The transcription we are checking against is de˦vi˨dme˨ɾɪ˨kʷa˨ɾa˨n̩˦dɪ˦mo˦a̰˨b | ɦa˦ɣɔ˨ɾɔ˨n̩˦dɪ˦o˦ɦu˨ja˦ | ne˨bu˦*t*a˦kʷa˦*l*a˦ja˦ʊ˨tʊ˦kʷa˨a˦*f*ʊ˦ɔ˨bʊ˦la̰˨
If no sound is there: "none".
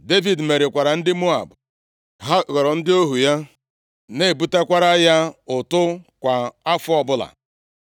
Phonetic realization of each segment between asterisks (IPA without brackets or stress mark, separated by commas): t, ɾ, f